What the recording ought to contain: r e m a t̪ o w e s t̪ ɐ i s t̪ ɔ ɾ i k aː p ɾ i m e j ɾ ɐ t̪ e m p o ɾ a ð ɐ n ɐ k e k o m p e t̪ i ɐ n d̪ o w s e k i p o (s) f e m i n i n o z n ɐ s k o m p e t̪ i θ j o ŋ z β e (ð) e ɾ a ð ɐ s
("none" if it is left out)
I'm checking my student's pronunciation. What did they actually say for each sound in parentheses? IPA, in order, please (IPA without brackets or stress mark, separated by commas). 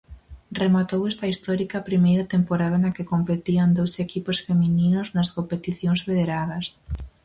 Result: s, ð